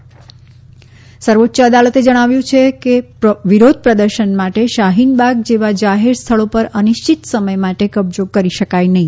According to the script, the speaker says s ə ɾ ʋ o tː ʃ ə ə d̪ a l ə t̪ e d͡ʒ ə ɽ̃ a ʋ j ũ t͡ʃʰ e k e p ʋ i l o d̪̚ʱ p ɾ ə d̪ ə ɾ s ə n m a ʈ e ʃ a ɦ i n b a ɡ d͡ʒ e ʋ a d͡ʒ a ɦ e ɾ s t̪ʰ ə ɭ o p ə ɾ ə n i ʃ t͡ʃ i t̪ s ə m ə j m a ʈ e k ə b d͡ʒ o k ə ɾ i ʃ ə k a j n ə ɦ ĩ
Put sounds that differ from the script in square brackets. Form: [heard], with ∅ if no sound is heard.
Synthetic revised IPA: s ə ɾ ʋ o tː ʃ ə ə d̪ a l ə t̪ e d͡ʒ ə ɽ̃ a ʋ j ũ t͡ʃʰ e k e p ʋ i [ɾ] o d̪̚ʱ p ɾ ə d̪ ə ɾ [ʃ] ə n m a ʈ e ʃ a ɦ i n b a ɡ d͡ʒ e ʋ a d͡ʒ a ɦ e ɾ s t̪ʰ ə ɭ o p ə ɾ ə n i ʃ t͡ʃ i t̪ s ə m ə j m a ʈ e k ə b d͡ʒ o k ə ɾ i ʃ ə k a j n ə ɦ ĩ